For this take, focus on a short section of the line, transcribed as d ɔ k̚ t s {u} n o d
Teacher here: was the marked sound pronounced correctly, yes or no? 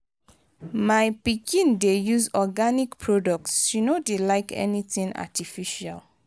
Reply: yes